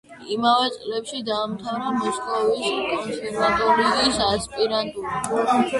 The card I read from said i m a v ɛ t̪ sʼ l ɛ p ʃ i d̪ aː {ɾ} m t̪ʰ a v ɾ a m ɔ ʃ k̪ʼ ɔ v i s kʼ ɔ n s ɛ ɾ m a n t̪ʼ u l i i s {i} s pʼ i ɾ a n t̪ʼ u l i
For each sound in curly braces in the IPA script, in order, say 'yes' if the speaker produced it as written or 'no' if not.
no, no

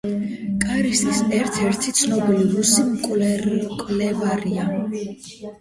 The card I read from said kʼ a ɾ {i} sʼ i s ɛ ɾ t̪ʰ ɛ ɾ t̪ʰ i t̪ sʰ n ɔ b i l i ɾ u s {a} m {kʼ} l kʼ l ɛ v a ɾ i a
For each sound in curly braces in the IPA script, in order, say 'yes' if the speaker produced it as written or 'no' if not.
yes, no, yes

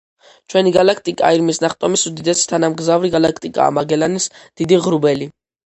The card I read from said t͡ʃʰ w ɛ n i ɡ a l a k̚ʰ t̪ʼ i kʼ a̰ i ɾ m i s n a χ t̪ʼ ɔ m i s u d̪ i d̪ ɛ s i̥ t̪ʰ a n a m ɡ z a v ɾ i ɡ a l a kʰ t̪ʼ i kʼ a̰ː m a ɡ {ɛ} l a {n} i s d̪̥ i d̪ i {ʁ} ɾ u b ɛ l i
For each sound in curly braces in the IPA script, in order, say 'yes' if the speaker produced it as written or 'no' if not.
yes, yes, yes

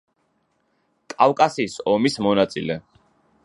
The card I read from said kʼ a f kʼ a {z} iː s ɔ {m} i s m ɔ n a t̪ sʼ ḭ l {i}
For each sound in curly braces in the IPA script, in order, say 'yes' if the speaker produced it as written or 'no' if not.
no, yes, no

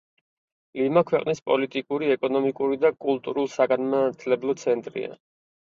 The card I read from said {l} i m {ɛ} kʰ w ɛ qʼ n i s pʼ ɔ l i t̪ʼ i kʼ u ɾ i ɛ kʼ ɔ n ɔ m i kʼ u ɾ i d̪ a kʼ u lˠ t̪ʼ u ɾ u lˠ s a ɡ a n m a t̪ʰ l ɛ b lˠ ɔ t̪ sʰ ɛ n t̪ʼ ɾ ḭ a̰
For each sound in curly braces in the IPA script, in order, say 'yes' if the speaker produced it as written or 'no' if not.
yes, no

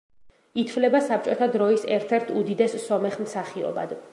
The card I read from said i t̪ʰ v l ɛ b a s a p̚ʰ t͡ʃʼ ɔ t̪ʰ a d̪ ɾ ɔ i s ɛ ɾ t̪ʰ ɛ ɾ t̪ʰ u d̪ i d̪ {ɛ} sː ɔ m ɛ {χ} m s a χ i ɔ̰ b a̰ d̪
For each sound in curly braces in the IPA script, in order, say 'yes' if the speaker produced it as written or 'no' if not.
yes, yes

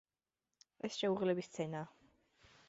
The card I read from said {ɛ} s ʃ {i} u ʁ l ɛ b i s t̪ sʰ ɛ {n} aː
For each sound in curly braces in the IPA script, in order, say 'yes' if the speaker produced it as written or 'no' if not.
yes, no, yes

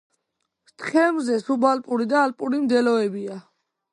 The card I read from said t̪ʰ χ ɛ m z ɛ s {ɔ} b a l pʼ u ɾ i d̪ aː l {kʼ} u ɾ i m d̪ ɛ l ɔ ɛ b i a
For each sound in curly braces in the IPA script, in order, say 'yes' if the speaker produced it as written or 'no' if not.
no, no

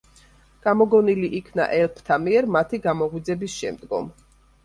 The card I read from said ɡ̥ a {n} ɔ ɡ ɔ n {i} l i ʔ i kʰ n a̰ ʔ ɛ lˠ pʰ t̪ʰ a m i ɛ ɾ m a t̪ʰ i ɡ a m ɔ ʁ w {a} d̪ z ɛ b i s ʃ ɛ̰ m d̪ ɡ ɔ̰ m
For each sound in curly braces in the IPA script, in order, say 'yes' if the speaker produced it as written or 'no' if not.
no, yes, no

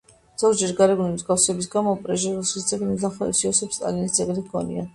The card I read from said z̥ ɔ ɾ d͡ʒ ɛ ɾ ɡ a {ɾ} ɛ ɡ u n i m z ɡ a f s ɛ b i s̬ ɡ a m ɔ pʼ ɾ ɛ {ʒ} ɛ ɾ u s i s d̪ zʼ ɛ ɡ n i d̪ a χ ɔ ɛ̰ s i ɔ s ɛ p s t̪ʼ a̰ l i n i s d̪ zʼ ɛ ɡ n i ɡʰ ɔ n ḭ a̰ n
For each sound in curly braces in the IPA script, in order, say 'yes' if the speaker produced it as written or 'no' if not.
yes, yes

